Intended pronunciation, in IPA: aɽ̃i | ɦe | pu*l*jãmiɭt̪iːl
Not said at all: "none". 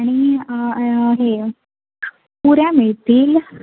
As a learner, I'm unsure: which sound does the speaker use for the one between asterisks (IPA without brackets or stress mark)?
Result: ɾ